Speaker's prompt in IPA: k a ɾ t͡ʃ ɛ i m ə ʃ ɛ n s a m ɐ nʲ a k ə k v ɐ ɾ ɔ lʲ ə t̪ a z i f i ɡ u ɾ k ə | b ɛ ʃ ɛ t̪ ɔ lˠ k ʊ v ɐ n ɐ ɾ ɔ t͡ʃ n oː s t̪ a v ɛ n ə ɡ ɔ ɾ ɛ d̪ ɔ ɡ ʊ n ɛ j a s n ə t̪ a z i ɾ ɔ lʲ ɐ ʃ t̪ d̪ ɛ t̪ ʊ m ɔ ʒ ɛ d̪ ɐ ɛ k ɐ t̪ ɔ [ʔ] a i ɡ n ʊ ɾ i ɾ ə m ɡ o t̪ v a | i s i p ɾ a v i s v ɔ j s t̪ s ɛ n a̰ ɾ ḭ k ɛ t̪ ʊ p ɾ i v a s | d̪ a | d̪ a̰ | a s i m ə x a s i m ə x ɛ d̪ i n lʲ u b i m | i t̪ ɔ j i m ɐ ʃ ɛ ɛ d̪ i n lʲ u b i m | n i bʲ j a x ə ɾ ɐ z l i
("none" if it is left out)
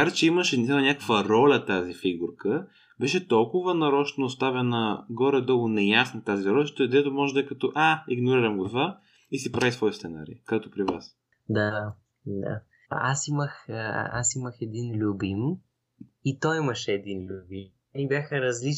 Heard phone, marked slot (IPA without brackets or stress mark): ʔ